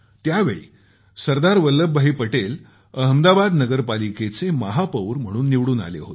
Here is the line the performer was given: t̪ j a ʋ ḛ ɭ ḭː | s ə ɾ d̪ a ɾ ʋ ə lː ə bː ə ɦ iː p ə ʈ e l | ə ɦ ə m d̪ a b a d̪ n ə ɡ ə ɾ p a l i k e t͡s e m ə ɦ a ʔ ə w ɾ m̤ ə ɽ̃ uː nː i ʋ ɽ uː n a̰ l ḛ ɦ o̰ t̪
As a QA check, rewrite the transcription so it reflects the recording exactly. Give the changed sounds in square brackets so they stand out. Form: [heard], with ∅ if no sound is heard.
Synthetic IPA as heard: t̪ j a ʋ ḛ ɭ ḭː | s ə ɾ d̪ a ɾ ʋ ə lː ə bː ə ɦ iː p ə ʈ e l | ə ɦ ə m d̪ a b a d̪ n ə ɡ ə ɾ p a l i k e t͡s e m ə ɦ a [p] ə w ɾ m̤ ə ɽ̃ uː nː i ʋ ɽ uː n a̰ l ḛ ɦ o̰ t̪